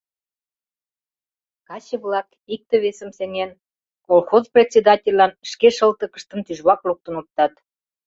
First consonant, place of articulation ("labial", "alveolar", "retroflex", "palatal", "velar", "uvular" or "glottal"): velar